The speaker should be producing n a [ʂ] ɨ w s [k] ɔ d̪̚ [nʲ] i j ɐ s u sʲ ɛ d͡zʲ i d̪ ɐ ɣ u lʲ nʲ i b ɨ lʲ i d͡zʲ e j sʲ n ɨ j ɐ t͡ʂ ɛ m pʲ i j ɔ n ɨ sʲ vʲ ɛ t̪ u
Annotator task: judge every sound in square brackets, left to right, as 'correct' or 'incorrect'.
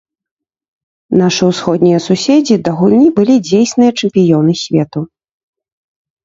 correct, incorrect, correct

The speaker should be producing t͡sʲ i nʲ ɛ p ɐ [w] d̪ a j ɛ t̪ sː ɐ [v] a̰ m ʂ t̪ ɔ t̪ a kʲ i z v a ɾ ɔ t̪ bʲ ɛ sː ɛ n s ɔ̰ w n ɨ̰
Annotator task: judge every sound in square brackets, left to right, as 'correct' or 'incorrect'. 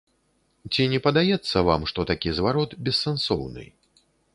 incorrect, correct

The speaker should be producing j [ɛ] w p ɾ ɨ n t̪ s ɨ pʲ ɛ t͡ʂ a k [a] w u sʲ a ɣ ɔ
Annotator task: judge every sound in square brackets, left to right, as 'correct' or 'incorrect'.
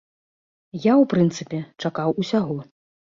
incorrect, correct

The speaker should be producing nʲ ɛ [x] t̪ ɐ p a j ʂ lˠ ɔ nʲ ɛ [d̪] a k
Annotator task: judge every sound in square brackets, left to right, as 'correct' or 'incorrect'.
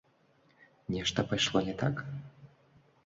incorrect, incorrect

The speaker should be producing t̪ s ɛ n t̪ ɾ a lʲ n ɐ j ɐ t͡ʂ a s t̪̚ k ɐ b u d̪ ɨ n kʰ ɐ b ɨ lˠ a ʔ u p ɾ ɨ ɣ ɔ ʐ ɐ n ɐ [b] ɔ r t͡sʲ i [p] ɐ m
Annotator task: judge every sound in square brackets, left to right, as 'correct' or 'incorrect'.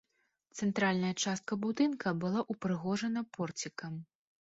incorrect, incorrect

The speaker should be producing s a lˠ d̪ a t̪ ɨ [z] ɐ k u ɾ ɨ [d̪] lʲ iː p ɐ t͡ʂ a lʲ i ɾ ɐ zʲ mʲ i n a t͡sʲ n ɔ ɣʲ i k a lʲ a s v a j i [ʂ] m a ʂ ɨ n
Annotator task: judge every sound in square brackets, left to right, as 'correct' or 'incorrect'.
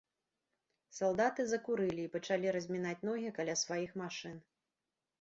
correct, incorrect, incorrect

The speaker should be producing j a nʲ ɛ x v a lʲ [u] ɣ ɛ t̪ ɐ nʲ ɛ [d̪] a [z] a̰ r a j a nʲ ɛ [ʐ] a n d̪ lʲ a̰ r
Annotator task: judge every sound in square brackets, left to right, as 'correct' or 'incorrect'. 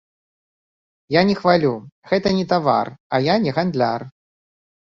correct, incorrect, incorrect, incorrect

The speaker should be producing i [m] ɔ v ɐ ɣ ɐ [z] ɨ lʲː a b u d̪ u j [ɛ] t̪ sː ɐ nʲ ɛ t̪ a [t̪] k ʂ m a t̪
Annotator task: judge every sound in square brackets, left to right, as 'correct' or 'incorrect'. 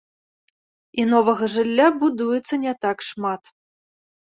incorrect, incorrect, correct, incorrect

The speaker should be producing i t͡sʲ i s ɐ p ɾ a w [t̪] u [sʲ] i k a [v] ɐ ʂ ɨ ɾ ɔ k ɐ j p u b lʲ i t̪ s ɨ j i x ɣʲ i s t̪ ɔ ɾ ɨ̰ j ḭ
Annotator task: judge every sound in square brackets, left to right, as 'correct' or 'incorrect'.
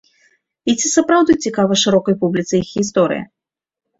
incorrect, incorrect, correct

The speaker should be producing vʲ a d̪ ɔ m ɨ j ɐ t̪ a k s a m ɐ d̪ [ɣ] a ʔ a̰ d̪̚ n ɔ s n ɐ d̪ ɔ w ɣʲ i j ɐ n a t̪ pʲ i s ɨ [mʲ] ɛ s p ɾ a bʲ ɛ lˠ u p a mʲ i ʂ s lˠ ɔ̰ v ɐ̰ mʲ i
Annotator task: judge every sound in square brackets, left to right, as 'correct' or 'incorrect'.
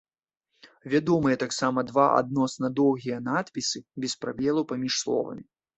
incorrect, incorrect

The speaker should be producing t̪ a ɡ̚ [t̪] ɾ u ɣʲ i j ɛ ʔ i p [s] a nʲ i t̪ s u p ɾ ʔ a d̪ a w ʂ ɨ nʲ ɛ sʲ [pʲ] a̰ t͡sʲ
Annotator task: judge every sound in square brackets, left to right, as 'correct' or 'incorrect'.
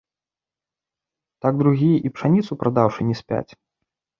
incorrect, incorrect, correct

